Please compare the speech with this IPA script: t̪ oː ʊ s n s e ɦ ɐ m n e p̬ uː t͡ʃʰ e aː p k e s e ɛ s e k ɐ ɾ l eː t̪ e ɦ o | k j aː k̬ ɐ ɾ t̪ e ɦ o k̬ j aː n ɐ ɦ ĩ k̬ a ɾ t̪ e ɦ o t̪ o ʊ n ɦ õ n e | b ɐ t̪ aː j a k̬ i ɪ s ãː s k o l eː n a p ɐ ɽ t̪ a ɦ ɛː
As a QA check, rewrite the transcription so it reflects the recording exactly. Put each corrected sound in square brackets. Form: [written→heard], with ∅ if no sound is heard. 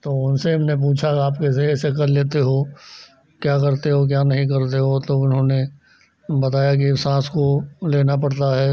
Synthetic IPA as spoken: t̪ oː ʊ [s→∅] n s e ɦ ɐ m n e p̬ uː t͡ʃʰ [e→a] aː p k e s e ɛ s e k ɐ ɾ l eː t̪ e ɦ o | k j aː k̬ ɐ ɾ t̪ e ɦ o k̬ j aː n ɐ ɦ ĩ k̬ [a→ɐ] ɾ t̪ e ɦ o t̪ o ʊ n ɦ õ n e | b ɐ t̪ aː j a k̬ i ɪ s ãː s k o l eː n a p ɐ ɽ t̪ a ɦ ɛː

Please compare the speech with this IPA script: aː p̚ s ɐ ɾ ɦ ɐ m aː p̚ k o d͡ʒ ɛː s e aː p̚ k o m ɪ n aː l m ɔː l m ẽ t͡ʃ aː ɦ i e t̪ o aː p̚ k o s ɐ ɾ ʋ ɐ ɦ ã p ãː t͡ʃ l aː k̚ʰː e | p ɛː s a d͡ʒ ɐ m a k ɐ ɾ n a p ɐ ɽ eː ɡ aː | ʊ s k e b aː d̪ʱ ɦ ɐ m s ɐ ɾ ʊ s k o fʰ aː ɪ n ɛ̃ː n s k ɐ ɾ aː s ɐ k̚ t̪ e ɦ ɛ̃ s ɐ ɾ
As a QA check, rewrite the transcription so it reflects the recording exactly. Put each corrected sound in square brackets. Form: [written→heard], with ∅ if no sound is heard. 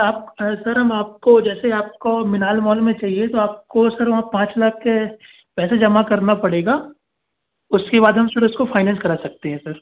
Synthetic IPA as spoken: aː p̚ s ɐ ɾ ɦ ɐ m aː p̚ k o d͡ʒ ɛː s e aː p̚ k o m ɪ n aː l m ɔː l m ẽ t͡ʃ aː ɦ i e t̪ o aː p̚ k o s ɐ ɾ ʋ ɐ ɦ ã p ãː t͡ʃ l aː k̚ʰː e | p ɛː s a d͡ʒ ɐ m a k ɐ ɾ n a p ɐ ɽ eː ɡ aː | ʊ s k e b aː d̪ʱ ɦ ɐ m s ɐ ɾ ʊ s k o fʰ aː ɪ n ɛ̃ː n s k ɐ ɾ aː s ɐ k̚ t̪ e ɦ ɛ̃ s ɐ ɾ

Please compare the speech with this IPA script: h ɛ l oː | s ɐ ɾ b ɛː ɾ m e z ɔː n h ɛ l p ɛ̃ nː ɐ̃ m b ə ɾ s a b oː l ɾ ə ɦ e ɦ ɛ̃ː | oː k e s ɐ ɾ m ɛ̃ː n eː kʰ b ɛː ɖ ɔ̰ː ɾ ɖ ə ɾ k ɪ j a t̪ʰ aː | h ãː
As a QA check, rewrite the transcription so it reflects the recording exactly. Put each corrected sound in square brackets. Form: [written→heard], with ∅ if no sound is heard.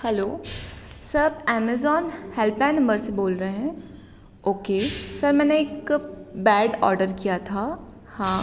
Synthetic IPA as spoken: h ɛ l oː | s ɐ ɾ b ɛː [ɾ→∅] m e z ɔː n h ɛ l p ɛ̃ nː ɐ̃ m b ə ɾ s [a→e] b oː l ɾ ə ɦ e ɦ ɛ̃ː | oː k e s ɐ ɾ m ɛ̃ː n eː [kʰ→k] b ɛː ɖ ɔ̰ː ɾ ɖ ə ɾ k [ɪ→i] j a t̪ʰ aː | h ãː

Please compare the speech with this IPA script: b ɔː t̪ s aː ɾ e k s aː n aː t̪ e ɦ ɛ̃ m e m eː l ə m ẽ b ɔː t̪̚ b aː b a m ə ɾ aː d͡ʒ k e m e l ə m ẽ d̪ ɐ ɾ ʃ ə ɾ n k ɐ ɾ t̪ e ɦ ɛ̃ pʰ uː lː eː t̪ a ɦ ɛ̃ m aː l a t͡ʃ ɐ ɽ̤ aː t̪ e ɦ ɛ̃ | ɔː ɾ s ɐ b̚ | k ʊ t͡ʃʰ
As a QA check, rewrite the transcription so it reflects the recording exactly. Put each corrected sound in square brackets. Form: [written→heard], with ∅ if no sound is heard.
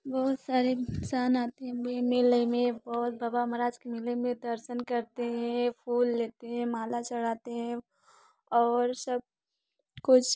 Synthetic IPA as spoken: b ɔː t̪ s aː ɾ e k s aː n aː t̪ e ɦ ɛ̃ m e m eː l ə m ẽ b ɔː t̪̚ b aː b a m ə ɾ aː d͡ʒ k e m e l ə m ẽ d̪ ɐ ɾ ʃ ə [ɾ→∅] n k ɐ ɾ t̪ e ɦ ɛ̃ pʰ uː lː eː t̪ [a→e] ɦ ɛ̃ m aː l a t͡ʃ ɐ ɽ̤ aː t̪ e ɦ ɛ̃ | ɔː ɾ s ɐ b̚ | k ʊ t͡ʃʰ

